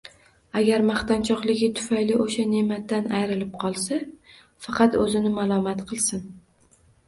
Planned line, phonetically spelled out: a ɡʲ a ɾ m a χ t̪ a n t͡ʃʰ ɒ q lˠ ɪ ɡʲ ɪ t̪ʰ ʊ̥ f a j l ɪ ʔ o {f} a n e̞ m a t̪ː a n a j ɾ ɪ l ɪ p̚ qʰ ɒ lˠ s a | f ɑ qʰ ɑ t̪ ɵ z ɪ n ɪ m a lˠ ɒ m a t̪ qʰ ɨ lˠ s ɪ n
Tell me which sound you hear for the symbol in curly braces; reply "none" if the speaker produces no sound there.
ʃ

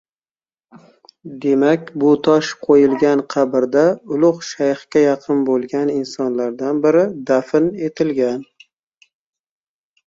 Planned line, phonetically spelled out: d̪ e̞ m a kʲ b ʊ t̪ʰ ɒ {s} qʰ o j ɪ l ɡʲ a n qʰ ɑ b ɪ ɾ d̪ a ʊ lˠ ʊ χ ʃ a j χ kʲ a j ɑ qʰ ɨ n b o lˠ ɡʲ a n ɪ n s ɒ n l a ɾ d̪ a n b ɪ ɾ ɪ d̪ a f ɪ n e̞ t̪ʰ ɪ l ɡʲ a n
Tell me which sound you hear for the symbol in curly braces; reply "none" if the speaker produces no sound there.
ʃ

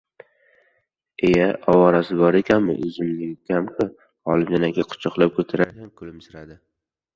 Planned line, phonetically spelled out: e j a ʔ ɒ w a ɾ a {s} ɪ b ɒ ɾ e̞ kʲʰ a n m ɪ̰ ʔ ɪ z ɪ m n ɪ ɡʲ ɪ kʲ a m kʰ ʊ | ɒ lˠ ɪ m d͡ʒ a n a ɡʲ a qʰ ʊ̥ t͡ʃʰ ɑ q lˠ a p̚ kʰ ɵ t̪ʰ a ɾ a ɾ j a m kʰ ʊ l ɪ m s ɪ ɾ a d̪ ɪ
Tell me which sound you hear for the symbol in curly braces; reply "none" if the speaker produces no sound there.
s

